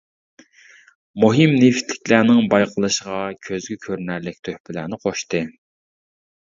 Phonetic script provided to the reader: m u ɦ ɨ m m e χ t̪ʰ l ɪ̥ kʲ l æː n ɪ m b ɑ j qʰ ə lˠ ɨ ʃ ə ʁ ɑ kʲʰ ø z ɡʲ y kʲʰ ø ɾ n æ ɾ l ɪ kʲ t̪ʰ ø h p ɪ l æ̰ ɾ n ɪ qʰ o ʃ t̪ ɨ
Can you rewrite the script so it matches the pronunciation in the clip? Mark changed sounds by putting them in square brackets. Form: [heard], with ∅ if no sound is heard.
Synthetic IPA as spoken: m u ɦ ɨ m [n] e [f] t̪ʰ l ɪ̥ kʲ l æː n ɪ [ŋ] b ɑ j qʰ ə lˠ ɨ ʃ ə ʁ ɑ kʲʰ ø z ɡʲ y kʲʰ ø ɾ n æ ɾ l ɪ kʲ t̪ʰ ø h p ɪ l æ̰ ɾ n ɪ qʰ o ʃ t̪ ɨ

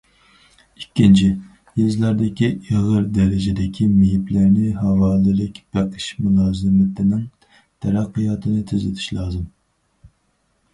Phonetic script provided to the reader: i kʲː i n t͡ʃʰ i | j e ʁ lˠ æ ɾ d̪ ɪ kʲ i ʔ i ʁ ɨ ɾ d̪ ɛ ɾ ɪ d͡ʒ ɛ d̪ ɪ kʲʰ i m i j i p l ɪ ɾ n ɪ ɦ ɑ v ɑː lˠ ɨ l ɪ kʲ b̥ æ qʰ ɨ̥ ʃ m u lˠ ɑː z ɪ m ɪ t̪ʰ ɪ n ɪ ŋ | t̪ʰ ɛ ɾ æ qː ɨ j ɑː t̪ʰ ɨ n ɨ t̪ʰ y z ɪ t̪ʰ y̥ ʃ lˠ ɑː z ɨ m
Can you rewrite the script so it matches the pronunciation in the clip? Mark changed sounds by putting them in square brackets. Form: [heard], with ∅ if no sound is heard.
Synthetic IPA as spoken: i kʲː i n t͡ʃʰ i | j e [z] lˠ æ ɾ d̪ ɪ kʲ i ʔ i ʁ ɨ ɾ d̪ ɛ ɾ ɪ d͡ʒ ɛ d̪ ɪ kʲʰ i m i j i p l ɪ ɾ n ɪ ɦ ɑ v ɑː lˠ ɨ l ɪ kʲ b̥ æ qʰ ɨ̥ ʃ m u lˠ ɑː z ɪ m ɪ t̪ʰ ɪ n ɪ ŋ | t̪ʰ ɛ ɾ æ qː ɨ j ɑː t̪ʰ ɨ n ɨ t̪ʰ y z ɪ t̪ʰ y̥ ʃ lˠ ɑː z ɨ m

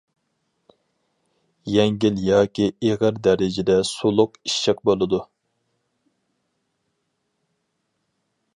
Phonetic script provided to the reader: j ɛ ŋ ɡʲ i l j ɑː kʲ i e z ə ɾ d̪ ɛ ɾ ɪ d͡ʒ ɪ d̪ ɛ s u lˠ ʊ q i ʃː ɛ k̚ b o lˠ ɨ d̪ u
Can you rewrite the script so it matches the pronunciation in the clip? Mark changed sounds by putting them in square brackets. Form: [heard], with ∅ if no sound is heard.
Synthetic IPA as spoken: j ɛ ŋ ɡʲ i l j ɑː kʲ i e [ʁ] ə ɾ d̪ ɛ ɾ ɪ d͡ʒ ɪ d̪ ɛ s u lˠ ʊ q i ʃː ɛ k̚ b o lˠ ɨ d̪ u

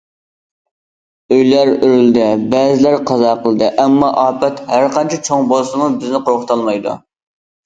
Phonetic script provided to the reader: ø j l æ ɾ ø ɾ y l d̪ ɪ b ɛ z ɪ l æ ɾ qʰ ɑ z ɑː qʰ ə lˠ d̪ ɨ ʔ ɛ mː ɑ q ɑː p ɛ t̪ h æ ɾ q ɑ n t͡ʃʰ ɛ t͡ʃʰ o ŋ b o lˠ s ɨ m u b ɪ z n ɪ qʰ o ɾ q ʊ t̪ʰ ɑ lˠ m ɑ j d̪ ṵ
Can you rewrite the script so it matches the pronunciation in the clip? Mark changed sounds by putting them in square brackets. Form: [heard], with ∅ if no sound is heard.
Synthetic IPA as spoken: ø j l æ ɾ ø ɾ y l d̪ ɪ b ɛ z ɪ l æ ɾ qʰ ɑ z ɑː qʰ ə lˠ d̪ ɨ ʔ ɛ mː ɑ [ʔ] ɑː p ɛ t̪ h æ ɾ q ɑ n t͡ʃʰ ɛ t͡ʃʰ o ŋ b o lˠ s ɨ m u b ɪ z n ɪ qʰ o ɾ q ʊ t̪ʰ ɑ lˠ m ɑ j d̪ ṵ

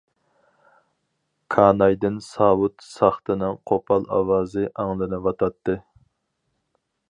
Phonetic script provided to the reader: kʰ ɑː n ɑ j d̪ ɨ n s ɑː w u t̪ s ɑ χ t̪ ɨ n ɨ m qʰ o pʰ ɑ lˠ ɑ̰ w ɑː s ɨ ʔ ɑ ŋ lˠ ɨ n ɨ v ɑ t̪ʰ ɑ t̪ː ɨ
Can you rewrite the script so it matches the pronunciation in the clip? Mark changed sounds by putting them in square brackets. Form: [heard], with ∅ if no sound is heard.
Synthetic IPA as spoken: kʰ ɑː n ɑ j d̪ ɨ n s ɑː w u t̪ s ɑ χ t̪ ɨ n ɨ [ŋ] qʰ o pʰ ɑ lˠ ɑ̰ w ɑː [z] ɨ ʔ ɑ ŋ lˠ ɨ n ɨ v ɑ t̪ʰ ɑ t̪ː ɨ

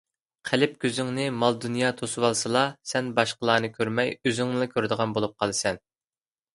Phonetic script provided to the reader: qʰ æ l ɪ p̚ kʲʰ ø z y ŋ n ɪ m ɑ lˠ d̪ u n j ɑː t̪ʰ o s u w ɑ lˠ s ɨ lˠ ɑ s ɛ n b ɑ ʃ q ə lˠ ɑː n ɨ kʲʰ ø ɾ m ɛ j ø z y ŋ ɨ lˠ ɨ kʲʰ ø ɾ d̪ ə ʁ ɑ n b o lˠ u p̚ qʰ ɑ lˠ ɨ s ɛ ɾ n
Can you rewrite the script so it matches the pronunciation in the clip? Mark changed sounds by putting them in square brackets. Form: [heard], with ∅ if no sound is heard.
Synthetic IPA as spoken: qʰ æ l ɪ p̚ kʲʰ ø z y ŋ n ɪ m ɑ lˠ d̪ u n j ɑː t̪ʰ o s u w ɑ lˠ s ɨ lˠ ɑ s ɛ n b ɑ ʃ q ə lˠ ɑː n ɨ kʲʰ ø ɾ m ɛ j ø z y ŋ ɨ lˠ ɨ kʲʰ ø ɾ d̪ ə ʁ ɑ n b o lˠ u p̚ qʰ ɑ lˠ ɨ s ɛ [∅] n

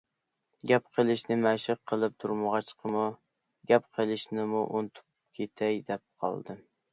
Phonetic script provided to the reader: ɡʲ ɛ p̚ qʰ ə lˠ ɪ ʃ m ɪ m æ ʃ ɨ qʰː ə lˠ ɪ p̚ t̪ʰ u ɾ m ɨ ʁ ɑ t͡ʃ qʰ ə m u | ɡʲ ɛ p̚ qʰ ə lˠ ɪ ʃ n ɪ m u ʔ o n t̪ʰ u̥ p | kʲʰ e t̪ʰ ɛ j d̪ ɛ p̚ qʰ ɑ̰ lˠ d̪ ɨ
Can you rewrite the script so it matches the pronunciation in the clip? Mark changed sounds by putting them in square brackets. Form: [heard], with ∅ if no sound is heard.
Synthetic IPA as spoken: ɡʲ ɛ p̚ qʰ ə lˠ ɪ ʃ [n] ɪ m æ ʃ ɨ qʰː ə lˠ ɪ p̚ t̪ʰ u ɾ m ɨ ʁ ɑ t͡ʃ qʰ ə m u | ɡʲ ɛ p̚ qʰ ə lˠ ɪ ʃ n ɪ m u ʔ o n t̪ʰ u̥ p | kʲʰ e t̪ʰ ɛ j d̪ ɛ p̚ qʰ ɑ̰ lˠ d̪ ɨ

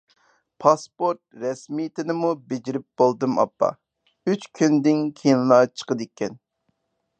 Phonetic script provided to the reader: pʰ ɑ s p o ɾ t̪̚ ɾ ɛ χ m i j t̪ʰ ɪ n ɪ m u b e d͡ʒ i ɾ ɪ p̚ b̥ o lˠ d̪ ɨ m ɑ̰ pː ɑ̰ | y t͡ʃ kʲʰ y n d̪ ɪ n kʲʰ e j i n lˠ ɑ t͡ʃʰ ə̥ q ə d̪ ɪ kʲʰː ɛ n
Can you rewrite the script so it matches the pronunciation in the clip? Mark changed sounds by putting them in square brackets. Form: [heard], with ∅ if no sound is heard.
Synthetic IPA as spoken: pʰ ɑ s p o ɾ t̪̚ ɾ ɛ [s] m i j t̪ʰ ɪ n ɪ m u b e d͡ʒ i ɾ ɪ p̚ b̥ o lˠ d̪ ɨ m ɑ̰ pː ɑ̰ | y t͡ʃ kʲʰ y n d̪ ɪ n kʲʰ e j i n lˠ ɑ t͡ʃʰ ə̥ q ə d̪ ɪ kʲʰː ɛ n

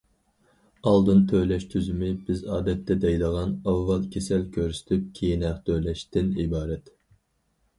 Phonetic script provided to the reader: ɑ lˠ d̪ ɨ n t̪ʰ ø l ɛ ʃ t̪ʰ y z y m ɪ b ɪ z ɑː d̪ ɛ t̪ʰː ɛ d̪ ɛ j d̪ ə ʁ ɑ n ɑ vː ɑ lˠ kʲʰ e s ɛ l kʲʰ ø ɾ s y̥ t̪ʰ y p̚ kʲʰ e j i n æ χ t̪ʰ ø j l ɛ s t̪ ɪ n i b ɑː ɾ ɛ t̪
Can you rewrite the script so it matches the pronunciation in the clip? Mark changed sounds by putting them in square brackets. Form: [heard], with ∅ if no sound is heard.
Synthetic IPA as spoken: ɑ lˠ d̪ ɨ n t̪ʰ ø l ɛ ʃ t̪ʰ y z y m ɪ b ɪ z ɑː d̪ ɛ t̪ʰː ɛ d̪ ɛ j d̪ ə ʁ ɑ n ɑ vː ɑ lˠ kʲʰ e s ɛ l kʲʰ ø ɾ s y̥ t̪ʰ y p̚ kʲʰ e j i n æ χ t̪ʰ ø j l ɛ [ʃ] t̪ ɪ n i b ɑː ɾ ɛ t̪

